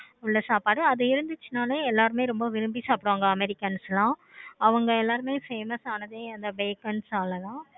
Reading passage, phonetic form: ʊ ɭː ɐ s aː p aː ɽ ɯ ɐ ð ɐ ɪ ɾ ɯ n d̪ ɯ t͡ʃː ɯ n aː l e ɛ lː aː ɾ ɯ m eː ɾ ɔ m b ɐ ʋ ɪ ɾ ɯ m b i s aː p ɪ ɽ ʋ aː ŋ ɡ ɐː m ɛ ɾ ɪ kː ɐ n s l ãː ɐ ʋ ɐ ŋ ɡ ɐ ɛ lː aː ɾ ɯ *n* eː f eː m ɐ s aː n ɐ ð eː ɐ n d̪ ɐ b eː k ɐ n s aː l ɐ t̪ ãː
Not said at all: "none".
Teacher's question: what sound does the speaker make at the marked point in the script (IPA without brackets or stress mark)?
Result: m